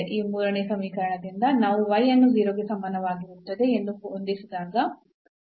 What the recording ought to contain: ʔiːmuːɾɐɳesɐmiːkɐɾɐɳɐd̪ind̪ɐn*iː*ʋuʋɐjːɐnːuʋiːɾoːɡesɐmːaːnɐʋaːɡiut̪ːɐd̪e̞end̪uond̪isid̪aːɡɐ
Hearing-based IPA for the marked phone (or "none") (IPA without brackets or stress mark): aː